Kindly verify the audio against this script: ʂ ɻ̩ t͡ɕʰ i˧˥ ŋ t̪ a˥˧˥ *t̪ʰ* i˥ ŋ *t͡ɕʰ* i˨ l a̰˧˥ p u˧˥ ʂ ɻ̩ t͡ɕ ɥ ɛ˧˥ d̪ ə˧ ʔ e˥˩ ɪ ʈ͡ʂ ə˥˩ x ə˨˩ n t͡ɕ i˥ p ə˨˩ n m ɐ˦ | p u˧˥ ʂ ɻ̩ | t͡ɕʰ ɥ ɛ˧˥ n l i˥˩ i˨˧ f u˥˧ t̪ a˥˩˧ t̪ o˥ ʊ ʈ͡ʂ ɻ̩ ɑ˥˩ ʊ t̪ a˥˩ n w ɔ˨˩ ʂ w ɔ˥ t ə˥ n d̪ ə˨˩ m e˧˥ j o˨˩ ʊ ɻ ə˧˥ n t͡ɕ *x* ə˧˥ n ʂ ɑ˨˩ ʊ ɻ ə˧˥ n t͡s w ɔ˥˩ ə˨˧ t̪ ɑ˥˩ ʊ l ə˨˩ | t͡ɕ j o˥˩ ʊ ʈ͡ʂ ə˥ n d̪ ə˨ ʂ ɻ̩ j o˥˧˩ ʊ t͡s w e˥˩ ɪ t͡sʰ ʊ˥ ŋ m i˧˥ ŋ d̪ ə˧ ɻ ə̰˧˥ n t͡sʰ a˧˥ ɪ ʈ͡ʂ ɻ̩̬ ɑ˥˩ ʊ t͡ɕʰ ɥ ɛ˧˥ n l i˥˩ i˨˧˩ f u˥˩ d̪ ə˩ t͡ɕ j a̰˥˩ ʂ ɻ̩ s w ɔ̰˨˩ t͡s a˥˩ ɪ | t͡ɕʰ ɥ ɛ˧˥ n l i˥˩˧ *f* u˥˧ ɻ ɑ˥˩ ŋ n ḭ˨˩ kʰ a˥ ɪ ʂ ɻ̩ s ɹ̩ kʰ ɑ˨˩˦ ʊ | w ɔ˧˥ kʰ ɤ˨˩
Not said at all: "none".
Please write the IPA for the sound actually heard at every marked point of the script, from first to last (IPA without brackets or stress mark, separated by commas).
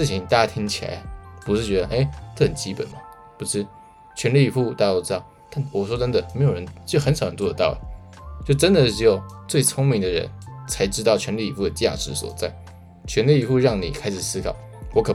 t̪ʰ, t͡ɕʰ, x, f